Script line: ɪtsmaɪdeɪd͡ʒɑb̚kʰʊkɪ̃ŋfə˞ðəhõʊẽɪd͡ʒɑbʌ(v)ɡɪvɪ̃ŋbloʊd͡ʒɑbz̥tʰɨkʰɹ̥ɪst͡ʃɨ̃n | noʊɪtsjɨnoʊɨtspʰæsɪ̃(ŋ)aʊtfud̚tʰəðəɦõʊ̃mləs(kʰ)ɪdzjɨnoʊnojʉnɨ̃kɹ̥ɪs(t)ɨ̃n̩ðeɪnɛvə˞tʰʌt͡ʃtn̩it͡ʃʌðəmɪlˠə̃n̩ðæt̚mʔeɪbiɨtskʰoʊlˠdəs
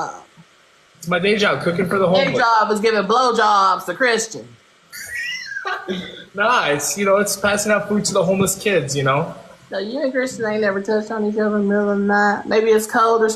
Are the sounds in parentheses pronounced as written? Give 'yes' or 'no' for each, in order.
no, yes, yes, no

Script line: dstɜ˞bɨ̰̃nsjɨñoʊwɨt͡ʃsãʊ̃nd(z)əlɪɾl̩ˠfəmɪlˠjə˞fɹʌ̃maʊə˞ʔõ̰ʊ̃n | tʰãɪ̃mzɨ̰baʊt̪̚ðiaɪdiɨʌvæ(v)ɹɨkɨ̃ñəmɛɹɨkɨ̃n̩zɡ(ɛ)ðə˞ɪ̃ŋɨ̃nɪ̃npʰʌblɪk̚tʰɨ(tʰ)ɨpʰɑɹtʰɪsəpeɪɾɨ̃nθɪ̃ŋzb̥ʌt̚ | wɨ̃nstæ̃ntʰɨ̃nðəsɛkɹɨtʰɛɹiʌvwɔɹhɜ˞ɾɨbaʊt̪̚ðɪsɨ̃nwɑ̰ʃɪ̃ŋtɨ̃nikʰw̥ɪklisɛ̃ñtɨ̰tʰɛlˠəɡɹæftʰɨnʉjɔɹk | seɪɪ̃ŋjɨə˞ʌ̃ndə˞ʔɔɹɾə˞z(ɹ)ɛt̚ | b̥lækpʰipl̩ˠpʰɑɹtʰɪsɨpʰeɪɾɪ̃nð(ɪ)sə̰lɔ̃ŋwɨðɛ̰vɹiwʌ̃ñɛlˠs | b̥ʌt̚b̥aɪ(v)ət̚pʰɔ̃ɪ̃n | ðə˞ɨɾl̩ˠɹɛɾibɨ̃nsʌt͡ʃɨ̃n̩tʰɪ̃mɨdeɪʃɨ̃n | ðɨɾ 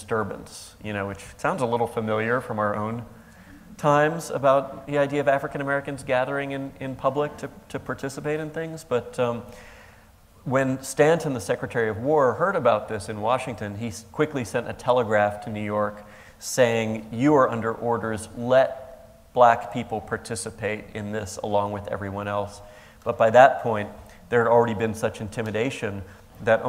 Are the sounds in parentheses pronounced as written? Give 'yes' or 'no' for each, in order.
yes, no, no, yes, no, yes, no

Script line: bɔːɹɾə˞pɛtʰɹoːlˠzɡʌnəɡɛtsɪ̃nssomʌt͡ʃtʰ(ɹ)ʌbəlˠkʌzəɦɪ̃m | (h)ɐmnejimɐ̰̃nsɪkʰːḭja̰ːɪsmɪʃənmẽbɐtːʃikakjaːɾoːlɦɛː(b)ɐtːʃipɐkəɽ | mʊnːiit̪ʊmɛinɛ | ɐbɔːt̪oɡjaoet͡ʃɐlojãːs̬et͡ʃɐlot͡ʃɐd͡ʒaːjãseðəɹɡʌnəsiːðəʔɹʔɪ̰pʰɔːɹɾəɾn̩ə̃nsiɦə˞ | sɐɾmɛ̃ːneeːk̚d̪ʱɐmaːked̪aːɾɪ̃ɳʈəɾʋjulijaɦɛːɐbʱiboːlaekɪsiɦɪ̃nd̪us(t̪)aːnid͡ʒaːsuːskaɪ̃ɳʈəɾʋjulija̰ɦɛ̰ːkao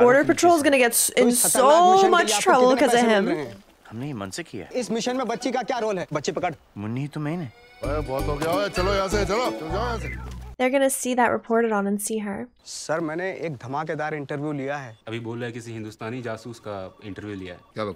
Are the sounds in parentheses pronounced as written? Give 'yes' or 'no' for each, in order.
yes, yes, yes, yes

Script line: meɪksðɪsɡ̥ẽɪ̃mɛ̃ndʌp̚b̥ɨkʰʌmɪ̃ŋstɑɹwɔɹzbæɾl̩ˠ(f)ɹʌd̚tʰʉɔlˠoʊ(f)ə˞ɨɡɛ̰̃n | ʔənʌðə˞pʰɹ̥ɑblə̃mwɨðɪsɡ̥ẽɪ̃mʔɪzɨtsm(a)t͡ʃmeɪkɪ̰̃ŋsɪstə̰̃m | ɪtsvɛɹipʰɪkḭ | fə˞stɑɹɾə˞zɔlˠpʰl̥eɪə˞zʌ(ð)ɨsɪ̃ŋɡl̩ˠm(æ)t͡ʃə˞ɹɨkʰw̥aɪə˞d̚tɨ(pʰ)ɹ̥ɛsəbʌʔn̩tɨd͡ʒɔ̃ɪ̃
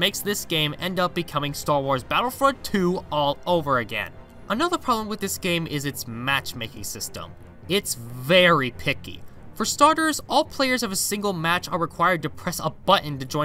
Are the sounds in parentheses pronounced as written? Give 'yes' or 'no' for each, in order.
yes, no, no, no, yes, yes

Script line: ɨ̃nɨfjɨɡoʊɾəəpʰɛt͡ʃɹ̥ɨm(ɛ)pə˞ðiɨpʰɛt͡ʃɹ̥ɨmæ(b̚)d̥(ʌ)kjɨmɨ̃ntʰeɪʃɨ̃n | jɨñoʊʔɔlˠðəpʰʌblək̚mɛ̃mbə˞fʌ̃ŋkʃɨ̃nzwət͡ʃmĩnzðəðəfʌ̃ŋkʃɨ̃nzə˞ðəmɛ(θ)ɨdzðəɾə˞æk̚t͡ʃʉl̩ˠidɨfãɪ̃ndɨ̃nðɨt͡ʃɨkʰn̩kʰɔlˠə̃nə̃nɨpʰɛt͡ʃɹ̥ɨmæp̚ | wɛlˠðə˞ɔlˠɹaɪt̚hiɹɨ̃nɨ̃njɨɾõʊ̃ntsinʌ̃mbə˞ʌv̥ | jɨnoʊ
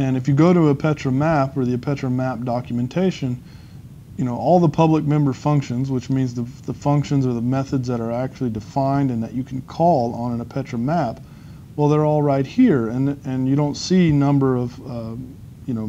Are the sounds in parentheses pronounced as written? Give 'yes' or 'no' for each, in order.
no, no, no, yes

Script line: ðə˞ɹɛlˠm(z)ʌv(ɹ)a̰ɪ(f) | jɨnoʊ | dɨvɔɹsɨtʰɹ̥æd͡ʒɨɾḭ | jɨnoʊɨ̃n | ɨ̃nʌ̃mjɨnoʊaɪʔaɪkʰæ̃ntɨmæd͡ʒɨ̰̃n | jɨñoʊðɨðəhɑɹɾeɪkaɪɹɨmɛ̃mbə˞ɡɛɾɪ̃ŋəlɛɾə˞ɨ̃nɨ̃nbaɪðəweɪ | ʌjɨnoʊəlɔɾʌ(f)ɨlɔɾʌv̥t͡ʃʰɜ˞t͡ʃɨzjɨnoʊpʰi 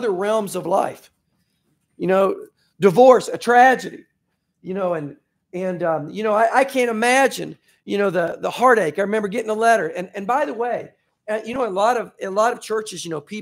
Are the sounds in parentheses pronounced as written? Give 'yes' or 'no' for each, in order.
yes, no, yes, no

